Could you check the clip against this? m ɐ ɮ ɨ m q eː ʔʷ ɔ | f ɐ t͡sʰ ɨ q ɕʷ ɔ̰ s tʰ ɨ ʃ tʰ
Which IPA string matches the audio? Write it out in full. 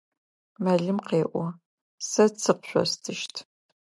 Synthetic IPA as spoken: m ɐ ɮ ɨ m q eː ʔʷ ɔ | s ɐ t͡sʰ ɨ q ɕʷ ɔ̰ s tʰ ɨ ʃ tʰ